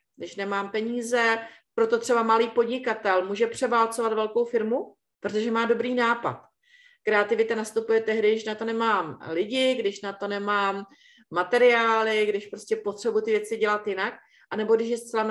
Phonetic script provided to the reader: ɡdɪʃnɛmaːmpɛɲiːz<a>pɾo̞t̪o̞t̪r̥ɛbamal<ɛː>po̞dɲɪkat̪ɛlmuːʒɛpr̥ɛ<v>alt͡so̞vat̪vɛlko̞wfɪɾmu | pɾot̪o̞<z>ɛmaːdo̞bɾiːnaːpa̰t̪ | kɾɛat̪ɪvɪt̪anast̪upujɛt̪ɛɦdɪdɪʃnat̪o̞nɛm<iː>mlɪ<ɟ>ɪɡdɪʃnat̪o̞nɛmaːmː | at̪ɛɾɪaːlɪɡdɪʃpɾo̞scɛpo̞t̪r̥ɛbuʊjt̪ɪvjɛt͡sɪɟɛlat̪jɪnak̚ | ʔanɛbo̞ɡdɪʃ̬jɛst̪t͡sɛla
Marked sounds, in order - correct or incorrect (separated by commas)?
incorrect, incorrect, correct, incorrect, incorrect, correct